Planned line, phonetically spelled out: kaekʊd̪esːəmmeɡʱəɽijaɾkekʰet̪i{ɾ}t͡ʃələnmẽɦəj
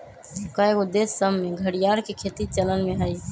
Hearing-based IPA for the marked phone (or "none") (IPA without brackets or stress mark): none